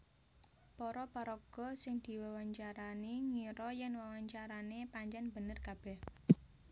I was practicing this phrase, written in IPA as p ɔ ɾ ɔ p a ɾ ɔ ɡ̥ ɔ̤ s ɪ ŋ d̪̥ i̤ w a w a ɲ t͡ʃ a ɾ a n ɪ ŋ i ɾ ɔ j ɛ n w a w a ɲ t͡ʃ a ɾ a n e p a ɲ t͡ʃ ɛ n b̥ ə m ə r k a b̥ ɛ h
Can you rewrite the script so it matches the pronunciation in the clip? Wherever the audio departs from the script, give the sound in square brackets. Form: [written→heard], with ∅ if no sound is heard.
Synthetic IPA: p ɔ ɾ ɔ p a ɾ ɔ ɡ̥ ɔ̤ s ɪ ŋ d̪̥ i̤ w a w a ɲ t͡ʃ a ɾ a n [ɪ→i] ŋ i ɾ ɔ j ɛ n w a w a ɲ t͡ʃ a ɾ a n e p a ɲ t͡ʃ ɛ n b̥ ə [m→n] ə r k a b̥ ɛ h